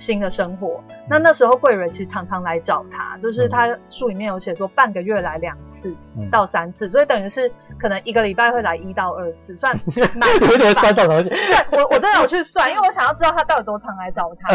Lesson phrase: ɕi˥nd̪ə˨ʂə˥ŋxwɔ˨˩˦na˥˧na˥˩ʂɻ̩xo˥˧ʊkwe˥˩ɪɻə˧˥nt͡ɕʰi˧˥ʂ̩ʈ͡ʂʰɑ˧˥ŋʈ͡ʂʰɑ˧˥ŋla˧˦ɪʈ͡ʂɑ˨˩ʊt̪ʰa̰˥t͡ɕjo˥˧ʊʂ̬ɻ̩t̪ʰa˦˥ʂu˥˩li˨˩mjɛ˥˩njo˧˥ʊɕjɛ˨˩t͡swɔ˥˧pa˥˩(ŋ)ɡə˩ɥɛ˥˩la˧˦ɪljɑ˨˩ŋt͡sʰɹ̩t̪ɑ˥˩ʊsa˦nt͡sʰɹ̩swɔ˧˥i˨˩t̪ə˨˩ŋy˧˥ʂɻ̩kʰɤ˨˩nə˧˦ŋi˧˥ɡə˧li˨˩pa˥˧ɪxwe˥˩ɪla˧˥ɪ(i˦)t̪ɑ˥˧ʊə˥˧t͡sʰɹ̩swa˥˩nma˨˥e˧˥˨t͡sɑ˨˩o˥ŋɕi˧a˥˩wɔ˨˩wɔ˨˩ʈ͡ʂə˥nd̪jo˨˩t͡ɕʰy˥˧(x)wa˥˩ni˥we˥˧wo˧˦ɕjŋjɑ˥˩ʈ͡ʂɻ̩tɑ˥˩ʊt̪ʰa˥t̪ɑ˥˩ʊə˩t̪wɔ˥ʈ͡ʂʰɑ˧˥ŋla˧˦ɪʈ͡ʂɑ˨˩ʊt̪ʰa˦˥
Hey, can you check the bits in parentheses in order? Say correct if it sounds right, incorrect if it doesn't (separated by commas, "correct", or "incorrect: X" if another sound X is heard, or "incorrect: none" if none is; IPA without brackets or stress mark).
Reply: incorrect: n, correct, incorrect: s